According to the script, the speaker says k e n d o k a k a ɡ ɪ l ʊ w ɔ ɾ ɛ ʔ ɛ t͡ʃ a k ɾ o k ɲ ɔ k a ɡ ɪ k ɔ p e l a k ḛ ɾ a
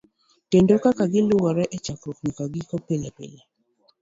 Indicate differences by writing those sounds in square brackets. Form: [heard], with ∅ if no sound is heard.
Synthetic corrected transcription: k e n d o k a k a ɡ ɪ l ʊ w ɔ ɾ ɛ ʔ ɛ t͡ʃ a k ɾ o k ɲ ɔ k a ɡ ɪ k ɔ p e l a [p] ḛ [l] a